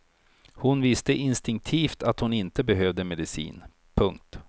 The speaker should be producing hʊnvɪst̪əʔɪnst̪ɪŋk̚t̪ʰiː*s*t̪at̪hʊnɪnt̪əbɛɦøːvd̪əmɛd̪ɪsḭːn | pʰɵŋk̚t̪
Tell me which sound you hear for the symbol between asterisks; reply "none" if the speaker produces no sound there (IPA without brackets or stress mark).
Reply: f